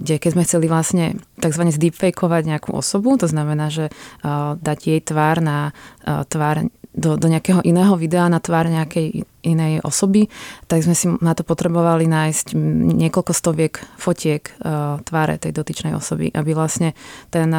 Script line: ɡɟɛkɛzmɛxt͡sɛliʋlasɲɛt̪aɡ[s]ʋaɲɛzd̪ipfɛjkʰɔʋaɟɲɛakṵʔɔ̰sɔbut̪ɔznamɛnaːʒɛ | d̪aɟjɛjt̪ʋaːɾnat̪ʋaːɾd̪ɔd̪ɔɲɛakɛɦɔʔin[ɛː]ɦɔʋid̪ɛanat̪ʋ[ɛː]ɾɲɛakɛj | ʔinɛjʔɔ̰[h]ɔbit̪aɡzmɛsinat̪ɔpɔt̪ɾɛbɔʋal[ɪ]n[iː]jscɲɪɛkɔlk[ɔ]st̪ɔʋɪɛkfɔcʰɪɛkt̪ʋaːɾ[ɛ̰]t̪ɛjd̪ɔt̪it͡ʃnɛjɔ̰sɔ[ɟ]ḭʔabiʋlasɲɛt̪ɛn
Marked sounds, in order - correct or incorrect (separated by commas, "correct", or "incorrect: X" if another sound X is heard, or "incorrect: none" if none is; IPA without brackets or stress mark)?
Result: incorrect: z, correct, incorrect: aː, incorrect: s, incorrect: i, incorrect: aː, correct, correct, incorrect: b